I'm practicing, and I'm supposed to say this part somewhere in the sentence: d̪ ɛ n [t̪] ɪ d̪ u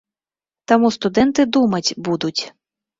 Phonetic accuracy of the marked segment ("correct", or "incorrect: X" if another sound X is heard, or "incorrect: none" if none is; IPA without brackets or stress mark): correct